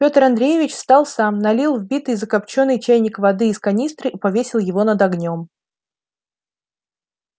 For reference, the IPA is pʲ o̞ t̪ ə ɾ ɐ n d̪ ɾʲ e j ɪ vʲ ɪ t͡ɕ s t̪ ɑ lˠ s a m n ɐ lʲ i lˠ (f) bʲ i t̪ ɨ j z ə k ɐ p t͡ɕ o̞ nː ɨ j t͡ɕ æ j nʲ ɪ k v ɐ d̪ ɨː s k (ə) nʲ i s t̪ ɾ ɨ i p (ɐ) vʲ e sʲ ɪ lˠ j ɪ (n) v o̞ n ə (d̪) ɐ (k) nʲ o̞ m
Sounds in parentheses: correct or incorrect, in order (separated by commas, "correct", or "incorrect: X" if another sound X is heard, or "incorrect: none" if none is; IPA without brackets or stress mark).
incorrect: v, incorrect: ɐ, correct, incorrect: none, correct, incorrect: ɡ